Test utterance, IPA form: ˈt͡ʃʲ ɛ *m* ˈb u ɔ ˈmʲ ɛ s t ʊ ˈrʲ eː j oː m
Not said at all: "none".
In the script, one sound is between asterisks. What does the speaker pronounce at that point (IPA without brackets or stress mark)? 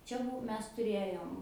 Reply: none